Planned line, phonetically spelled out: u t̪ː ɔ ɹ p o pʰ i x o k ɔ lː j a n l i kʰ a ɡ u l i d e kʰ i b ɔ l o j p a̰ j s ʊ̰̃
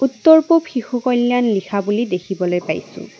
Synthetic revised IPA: u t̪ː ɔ ɹ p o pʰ i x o k ɔ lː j a n l i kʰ a b u l i d e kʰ i b ɔ l o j p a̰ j s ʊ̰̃